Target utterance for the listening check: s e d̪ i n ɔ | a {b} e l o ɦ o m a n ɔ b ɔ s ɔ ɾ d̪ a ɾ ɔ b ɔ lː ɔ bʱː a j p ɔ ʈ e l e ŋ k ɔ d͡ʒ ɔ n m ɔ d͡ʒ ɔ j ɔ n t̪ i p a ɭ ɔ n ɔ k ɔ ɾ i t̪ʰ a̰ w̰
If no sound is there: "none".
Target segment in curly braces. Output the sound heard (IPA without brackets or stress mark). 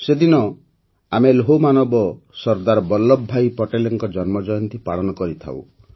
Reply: m